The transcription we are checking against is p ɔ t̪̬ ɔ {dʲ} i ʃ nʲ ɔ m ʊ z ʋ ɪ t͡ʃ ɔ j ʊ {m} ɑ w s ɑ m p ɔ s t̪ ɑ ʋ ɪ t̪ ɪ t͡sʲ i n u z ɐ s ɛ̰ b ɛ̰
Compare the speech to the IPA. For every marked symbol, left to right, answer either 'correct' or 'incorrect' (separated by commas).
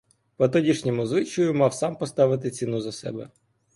correct, correct